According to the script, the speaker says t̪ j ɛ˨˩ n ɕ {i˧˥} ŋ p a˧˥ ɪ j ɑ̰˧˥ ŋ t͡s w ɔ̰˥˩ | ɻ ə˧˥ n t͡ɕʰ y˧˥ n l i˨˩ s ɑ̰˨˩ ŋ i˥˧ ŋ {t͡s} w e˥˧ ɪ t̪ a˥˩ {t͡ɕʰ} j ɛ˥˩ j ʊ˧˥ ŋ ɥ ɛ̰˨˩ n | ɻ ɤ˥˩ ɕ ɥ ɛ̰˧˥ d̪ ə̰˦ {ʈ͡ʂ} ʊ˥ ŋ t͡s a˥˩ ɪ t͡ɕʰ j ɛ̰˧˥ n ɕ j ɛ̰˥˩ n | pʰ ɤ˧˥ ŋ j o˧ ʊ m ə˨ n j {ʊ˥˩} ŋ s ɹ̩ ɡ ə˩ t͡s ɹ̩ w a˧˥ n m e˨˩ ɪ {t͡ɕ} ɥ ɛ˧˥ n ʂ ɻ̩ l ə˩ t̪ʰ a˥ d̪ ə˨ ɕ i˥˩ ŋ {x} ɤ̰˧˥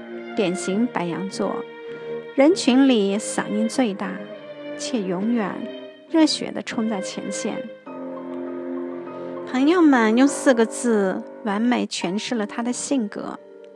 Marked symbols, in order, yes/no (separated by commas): yes, yes, yes, no, no, no, no